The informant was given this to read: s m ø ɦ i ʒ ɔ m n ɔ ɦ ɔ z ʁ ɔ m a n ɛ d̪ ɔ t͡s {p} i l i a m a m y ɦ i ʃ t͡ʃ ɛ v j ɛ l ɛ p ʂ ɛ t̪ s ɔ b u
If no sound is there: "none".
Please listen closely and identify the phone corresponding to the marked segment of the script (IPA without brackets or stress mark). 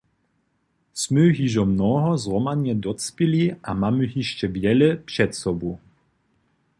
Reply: p